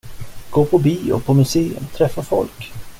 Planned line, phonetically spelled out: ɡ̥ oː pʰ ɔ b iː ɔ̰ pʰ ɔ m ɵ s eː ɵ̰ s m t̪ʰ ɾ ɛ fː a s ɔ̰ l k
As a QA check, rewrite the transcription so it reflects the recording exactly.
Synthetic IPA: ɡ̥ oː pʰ ɔ b iː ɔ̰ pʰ ɔ m ɵ s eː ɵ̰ m t̪ʰ ɾ ɛ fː a f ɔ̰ l k